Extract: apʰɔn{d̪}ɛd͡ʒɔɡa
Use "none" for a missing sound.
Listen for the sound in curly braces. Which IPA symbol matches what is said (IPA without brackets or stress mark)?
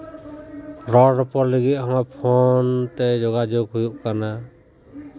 t̪